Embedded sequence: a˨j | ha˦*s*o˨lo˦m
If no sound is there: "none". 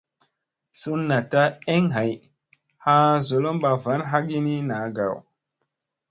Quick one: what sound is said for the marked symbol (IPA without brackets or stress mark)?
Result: z